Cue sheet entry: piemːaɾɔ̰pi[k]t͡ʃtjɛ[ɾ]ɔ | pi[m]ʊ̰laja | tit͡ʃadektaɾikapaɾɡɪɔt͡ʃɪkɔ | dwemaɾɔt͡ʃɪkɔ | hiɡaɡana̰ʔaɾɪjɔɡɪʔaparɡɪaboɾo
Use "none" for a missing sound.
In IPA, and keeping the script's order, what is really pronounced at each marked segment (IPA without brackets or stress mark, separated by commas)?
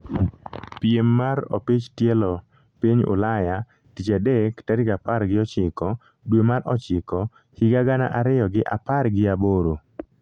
none, l, ɲ